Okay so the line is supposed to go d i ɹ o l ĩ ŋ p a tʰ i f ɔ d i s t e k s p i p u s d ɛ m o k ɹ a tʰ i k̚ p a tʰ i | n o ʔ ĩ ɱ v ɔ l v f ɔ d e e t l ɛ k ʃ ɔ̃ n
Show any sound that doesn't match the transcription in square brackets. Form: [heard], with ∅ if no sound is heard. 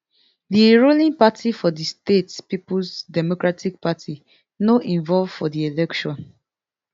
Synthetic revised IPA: d i ɹ o l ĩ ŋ p a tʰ i f ɔ d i s t e [t] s p i p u s d ɛ m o k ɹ a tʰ i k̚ p a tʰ i | n o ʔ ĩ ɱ v ɔ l v f ɔ d [i] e [∅] l ɛ k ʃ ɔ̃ n